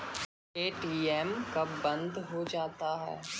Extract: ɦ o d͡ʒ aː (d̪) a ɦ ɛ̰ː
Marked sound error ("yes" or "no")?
yes